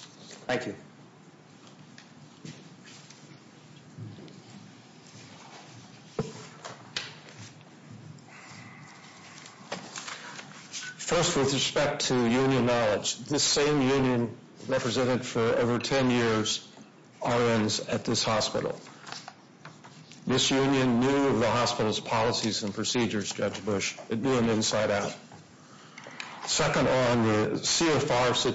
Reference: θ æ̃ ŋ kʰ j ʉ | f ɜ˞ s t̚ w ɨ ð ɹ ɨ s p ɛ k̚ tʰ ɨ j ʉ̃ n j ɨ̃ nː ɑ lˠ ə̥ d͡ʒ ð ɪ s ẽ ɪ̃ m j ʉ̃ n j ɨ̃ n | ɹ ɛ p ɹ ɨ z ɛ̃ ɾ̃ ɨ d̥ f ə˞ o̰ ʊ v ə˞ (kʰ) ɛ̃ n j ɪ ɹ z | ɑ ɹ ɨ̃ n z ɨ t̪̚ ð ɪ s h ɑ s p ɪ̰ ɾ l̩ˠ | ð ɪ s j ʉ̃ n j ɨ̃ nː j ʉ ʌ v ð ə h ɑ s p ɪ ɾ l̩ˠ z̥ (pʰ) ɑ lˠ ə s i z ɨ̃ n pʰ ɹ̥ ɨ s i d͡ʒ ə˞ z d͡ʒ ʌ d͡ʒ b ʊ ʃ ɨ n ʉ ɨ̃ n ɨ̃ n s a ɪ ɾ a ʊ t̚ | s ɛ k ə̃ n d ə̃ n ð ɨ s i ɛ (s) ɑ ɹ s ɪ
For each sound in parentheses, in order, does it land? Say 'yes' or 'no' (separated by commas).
no, yes, no